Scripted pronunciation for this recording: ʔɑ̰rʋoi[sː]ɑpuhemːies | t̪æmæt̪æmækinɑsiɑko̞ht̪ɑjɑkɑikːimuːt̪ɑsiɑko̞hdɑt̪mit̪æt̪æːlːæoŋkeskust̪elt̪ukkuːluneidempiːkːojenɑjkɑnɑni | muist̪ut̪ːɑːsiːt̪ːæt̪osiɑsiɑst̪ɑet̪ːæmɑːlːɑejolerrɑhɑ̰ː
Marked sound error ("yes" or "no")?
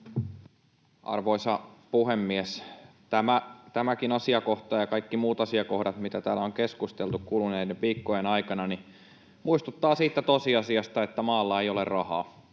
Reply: yes